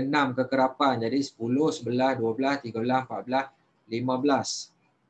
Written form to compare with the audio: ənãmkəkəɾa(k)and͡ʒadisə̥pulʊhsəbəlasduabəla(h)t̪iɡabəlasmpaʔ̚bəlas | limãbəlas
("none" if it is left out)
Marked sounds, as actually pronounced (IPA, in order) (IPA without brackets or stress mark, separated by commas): p, s